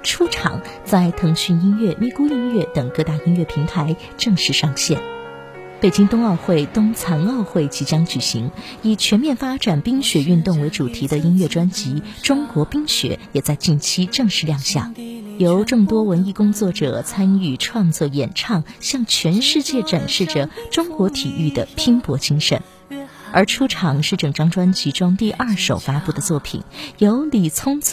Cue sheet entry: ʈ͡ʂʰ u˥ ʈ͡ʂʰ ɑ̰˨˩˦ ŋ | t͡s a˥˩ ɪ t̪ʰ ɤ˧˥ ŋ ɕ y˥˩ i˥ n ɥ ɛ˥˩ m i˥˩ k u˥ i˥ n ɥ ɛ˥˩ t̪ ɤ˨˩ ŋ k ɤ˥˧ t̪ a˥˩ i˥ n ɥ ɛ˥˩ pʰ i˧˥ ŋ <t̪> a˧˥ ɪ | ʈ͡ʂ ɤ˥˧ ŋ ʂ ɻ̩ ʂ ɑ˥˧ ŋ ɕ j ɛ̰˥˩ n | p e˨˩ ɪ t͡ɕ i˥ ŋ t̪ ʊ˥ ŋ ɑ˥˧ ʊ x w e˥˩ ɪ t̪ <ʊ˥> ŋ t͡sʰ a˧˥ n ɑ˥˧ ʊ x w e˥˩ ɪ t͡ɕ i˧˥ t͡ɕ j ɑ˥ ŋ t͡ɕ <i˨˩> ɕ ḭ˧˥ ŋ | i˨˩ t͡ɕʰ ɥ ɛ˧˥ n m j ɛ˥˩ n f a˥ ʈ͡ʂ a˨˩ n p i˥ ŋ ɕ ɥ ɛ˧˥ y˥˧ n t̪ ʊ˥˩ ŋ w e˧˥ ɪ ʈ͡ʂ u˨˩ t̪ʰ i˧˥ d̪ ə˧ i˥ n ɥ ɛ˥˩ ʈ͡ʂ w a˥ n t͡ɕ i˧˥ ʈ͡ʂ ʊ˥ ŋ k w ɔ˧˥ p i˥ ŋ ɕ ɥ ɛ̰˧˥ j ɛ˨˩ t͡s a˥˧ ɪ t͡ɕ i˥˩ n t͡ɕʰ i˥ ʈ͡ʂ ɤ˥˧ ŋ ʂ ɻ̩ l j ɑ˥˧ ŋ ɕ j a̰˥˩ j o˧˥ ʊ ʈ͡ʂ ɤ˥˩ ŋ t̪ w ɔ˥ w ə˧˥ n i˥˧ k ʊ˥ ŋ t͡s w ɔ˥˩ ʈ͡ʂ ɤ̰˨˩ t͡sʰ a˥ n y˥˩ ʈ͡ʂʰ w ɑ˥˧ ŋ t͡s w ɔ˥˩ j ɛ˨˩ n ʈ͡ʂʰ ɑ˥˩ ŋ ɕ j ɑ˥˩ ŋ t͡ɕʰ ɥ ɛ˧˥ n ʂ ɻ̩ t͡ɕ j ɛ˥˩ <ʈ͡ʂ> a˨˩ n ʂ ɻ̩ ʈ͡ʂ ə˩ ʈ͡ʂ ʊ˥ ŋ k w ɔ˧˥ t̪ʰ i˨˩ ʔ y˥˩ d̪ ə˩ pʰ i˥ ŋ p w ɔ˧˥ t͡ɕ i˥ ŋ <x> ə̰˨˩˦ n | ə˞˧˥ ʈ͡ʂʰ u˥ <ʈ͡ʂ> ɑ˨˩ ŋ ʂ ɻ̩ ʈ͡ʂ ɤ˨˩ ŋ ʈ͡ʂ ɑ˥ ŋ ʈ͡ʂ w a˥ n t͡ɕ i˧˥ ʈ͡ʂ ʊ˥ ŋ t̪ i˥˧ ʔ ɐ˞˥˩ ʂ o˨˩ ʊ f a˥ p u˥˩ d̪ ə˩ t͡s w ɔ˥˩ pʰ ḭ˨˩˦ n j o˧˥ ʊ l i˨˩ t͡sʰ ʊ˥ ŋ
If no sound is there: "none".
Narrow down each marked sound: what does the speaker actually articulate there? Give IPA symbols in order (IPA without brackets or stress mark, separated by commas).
t̪ʰ, ʊ˥, y˨˩, ʈ͡ʂ, ʂ, ʈ͡ʂʰ